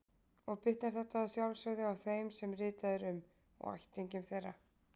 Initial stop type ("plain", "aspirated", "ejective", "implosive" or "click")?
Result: plain